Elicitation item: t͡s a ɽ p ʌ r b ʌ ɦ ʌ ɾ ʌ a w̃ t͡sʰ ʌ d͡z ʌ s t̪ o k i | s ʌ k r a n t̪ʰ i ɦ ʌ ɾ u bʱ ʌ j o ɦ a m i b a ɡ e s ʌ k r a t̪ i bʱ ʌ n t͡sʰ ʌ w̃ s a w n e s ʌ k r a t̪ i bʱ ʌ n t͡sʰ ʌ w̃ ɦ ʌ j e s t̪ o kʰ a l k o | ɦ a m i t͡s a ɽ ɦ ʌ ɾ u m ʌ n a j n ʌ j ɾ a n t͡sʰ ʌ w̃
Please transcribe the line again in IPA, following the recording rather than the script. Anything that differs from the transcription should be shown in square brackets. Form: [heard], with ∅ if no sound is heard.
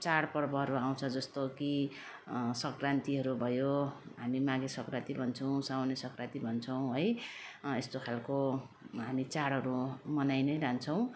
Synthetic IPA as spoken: t͡s a ɽ p ʌ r b ʌ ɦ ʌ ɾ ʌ a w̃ t͡sʰ ʌ d͡z ʌ s t̪ o k i | s ʌ k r a n [t̪] i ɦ ʌ ɾ u bʱ ʌ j o ɦ a m i [m] a ɡ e s ʌ k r a t̪ i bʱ ʌ n t͡sʰ ʌ w̃ s a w n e s ʌ k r a t̪ i bʱ ʌ n t͡sʰ ʌ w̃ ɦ ʌ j e s t̪ o kʰ a l k o | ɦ a m i t͡s a ɽ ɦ ʌ ɾ u m ʌ n a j n ʌ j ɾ a n t͡sʰ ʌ w̃